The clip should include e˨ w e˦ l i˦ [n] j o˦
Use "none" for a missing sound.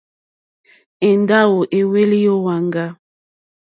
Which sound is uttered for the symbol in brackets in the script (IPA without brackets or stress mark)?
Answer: none